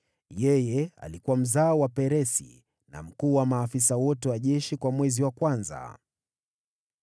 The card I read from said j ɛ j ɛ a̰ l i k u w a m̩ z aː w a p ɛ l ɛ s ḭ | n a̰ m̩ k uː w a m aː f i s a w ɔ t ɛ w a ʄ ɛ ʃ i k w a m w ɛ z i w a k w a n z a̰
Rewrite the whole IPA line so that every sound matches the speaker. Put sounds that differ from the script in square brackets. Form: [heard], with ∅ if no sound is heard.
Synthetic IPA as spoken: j ɛ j ɛ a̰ l i k u w a m̩ z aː w a p ɛ [ɾ] ɛ s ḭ | n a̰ m̩ k uː w a m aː f i s a w ɔ t ɛ w a ʄ ɛ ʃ i k w a m w ɛ z i w a k w a n z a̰